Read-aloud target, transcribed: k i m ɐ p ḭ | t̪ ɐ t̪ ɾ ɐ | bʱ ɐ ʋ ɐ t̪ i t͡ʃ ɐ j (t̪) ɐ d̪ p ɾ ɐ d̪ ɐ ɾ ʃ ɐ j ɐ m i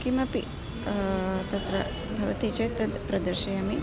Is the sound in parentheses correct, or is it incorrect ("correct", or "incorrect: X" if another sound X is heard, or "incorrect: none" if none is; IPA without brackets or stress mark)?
correct